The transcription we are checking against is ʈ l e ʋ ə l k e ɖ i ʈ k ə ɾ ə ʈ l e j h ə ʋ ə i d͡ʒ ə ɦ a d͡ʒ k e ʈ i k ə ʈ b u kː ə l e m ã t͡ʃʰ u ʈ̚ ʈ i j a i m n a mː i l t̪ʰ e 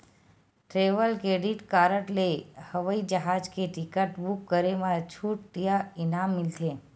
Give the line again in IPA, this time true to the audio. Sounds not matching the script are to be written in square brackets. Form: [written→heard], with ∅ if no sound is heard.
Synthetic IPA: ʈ [l→ɾ] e ʋ ə l k e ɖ i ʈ k [ə→a] ɾ ə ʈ l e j h ə ʋ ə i d͡ʒ ə ɦ a d͡ʒ k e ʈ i k ə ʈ b u kː ə [l→ɾ] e m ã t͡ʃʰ u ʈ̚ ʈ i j a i [m→∅] n a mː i l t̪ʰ e